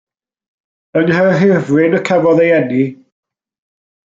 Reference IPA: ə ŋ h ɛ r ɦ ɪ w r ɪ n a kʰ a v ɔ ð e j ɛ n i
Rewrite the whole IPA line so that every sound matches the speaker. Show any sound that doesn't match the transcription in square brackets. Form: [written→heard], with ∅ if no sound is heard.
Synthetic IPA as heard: ə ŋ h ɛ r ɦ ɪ [w→v] r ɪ n [a→ə] kʰ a v ɔ ð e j ɛ n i